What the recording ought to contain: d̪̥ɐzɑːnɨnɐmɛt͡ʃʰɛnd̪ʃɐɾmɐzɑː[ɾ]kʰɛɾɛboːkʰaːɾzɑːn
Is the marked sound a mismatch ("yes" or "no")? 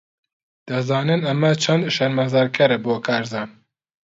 no